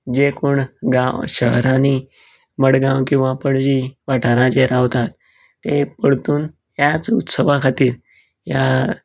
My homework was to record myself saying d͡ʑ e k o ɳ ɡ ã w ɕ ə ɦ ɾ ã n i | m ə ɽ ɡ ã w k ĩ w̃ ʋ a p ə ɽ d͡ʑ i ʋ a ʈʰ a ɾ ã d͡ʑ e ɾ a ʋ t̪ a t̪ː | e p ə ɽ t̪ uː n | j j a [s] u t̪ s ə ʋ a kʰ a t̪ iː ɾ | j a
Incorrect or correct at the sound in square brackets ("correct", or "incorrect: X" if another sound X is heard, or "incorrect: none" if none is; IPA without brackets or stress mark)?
incorrect: t͡s